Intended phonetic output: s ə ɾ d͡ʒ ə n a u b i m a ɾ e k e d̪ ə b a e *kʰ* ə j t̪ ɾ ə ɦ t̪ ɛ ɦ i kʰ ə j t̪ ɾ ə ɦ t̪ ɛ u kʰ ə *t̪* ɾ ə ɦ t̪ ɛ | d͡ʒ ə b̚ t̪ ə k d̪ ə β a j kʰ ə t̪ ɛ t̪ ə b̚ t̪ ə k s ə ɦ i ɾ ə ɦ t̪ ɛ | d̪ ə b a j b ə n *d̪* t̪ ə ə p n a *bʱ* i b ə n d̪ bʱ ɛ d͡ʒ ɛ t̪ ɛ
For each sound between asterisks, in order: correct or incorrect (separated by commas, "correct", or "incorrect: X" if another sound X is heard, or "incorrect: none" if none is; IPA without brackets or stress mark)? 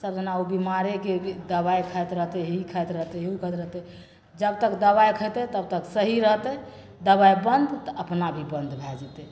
correct, correct, correct, correct